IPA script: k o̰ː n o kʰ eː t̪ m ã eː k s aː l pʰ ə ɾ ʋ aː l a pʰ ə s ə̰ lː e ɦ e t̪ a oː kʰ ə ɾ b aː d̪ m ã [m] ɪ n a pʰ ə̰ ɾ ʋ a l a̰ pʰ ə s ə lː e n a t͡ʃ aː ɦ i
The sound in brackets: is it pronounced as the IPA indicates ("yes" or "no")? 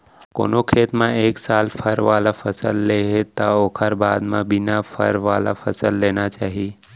no